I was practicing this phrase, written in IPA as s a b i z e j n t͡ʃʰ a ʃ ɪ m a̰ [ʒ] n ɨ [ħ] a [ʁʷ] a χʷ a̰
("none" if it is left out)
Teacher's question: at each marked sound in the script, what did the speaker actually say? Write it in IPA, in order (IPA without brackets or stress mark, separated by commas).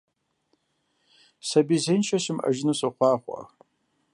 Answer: ʒ, s, χʷ